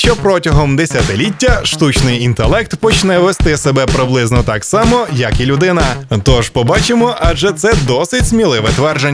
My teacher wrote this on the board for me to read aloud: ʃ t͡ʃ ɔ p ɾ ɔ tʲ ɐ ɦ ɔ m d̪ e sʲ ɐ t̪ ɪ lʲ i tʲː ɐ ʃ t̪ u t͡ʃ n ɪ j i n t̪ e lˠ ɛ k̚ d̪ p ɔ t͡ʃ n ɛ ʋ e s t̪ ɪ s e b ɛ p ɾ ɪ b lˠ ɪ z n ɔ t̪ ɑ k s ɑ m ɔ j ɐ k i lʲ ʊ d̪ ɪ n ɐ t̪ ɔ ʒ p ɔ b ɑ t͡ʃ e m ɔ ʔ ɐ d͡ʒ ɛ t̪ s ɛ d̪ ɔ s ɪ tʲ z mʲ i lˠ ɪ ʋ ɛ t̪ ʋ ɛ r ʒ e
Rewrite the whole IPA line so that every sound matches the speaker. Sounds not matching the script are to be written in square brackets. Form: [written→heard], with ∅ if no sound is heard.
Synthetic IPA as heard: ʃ t͡ʃ ɔ p ɾ ɔ tʲ ɐ ɦ ɔ m d̪ e sʲ ɐ t̪ ɪ lʲ i tʲː ɐ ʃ t̪ u t͡ʃ n ɪ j i n t̪ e lˠ ɛ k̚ [d̪→t̪] p ɔ t͡ʃ n ɛ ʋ e s t̪ ɪ s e b ɛ p ɾ ɪ b lˠ ɪ z n ɔ t̪ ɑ k s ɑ m ɔ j ɐ k i lʲ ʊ d̪ ɪ n ɐ t̪ ɔ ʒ p ɔ b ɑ t͡ʃ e m ɔ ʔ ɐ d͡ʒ ɛ t̪ s ɛ d̪ ɔ s ɪ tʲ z mʲ i lˠ ɪ ʋ ɛ t̪ ʋ ɛ r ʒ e